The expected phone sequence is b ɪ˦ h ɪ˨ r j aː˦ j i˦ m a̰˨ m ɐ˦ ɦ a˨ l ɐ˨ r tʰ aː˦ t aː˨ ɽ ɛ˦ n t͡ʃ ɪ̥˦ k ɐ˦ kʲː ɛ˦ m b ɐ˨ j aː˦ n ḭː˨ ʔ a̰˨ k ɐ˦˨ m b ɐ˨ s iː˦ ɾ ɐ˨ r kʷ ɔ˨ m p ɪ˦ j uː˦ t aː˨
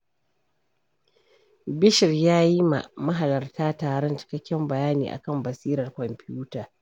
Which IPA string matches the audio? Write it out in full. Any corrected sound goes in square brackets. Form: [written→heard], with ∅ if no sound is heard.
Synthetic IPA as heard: b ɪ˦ [h→ʃ] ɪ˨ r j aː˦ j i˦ m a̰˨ m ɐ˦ ɦ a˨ l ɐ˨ r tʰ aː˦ t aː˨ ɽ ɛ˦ n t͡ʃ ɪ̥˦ k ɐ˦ kʲː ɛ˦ m b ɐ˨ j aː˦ n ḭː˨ ʔ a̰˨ k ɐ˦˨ m b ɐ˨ s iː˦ ɾ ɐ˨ r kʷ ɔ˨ m p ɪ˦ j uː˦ t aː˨